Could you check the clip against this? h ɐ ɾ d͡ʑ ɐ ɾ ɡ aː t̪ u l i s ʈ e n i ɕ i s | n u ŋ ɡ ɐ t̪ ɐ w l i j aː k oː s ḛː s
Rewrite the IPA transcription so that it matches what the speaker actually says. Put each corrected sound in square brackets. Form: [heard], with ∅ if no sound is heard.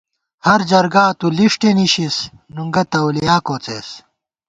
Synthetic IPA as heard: h ɐ ɾ d͡ʑ ɐ ɾ ɡ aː t̪ u l i [ʂ] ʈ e n i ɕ i s | n u ŋ ɡ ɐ t̪ ɐ w l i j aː k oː [t͡s] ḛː s